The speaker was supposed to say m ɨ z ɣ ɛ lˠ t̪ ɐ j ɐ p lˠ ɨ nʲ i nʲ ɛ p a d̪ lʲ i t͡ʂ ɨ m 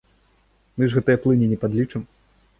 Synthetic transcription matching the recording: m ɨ ʐ ɣ ɛ t̪ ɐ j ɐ p lˠ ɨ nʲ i nʲ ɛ p a d̪ lʲ i t͡ʂ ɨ m

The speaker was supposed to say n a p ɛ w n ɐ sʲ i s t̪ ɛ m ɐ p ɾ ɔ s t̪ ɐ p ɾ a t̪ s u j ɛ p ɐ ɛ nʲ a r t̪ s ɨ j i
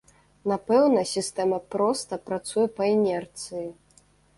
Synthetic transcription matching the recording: n a p ɛ w n ɐ sʲ i s t̪ ɛ m ɐ p ɾ ɔ s t̪ ɐ p ɾ a t̪ s u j ɛ p ɐ ɛ nʲ ɛ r t̪ s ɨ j i

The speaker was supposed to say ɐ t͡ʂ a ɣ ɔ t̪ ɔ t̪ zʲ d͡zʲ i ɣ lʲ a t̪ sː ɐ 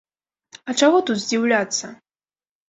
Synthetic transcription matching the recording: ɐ t͡ʂ a ɣ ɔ t̪ u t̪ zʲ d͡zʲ i w lʲ a t̪ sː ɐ

